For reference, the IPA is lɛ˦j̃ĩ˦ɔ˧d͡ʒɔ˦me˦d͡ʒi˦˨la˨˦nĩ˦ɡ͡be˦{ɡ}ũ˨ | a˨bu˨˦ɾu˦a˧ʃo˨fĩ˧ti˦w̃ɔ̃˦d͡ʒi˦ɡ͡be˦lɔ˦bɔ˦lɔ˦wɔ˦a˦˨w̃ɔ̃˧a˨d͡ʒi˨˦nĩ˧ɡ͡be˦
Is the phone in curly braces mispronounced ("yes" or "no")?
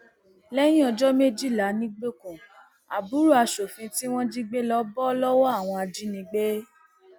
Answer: yes